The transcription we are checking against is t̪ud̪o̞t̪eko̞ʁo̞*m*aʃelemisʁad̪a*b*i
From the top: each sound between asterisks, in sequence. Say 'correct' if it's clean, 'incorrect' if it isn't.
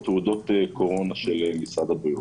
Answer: incorrect: n, correct

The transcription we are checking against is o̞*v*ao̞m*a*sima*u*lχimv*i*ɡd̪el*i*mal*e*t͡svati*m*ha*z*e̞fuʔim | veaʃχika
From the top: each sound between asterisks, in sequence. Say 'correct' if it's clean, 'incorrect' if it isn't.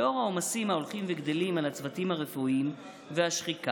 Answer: incorrect: ʁ, correct, incorrect: o, incorrect: e, correct, incorrect: a, correct, incorrect: ʁ

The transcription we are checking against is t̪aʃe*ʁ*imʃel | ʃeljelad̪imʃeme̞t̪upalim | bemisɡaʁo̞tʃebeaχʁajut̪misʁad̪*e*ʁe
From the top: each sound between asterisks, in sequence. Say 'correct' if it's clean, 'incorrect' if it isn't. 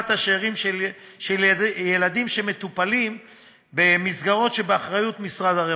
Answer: correct, incorrect: a

